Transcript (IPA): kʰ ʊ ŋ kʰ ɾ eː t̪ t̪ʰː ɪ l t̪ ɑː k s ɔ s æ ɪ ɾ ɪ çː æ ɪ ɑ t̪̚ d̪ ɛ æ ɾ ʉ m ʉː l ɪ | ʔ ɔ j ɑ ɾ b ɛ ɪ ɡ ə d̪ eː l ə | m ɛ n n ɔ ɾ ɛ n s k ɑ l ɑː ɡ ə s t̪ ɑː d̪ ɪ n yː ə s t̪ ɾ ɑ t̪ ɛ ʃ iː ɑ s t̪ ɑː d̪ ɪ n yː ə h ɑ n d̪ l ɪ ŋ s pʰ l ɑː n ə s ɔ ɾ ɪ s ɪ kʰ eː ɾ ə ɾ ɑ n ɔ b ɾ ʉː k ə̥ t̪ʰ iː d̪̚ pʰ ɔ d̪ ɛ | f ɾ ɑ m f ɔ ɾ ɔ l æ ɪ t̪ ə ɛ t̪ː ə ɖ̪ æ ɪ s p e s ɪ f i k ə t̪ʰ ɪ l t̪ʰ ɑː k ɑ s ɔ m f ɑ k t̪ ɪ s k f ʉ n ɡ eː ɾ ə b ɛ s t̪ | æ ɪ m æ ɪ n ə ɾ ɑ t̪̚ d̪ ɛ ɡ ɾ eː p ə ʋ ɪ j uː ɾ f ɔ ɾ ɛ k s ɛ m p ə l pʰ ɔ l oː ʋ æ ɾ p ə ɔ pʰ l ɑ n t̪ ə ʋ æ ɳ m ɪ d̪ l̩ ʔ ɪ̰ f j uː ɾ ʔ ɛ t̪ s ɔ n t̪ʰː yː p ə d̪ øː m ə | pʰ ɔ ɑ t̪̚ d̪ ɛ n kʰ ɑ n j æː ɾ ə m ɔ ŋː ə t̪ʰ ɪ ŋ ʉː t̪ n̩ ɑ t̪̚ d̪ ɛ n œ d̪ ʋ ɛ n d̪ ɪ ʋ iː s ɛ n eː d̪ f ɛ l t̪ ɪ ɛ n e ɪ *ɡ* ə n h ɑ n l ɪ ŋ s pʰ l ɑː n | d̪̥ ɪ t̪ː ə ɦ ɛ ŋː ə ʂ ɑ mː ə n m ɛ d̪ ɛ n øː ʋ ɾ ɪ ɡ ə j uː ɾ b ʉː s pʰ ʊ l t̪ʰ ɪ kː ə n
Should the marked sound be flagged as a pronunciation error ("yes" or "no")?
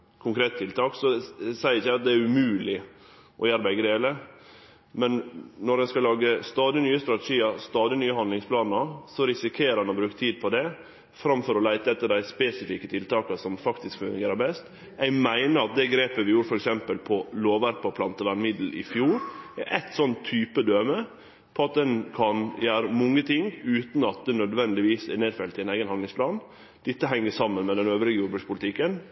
no